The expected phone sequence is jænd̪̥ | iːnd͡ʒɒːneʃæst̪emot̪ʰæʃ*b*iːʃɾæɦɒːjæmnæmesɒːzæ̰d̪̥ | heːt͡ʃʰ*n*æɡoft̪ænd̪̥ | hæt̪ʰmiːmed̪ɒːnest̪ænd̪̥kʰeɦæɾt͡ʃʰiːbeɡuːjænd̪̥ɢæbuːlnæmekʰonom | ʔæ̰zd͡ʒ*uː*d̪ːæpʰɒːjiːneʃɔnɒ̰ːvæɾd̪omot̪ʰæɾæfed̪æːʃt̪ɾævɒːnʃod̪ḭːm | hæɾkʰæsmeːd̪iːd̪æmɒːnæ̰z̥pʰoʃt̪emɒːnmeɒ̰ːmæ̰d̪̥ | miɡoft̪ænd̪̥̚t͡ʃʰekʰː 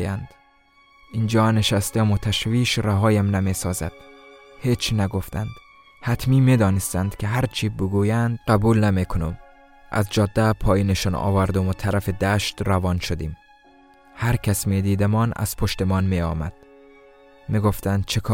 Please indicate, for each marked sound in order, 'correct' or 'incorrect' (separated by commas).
incorrect, correct, incorrect